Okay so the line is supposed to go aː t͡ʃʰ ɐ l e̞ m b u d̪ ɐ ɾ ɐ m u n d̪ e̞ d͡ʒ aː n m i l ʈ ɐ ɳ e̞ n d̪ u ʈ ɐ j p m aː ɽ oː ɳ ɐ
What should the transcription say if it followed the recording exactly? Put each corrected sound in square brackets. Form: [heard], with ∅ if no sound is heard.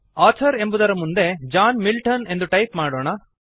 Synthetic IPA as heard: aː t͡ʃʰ ɐ [ɾ] e̞ m b u d̪ ɐ ɾ ɐ m u n d̪ e̞ d͡ʒ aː n m i l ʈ ɐ [n] e̞ n d̪ u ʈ ɐ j p m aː ɽ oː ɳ ɐ